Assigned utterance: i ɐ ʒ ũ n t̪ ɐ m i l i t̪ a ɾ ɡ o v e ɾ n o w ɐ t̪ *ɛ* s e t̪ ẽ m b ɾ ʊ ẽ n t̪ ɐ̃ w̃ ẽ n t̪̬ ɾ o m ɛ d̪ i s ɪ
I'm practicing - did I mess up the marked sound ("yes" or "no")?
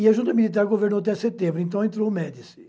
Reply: no